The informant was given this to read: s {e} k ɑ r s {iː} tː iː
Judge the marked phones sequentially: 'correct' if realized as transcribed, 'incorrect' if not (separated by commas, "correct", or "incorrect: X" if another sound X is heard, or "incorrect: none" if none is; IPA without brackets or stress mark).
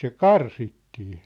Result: correct, incorrect: i